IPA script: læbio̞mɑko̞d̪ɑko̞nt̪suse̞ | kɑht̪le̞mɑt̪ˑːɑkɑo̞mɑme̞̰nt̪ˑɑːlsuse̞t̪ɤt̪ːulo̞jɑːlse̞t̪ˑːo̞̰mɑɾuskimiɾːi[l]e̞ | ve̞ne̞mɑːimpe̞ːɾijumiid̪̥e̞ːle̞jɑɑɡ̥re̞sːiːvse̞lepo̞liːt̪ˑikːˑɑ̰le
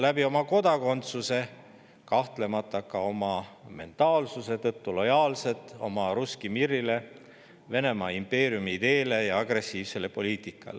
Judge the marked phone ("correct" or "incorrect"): correct